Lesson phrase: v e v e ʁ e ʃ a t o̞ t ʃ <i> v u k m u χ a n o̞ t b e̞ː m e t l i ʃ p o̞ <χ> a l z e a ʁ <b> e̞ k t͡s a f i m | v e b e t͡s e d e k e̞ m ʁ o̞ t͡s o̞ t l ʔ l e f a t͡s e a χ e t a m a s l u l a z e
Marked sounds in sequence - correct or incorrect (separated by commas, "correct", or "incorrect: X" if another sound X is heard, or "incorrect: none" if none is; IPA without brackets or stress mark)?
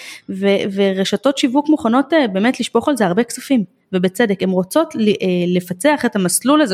correct, correct, correct